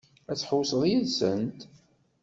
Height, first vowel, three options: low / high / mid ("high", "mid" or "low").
low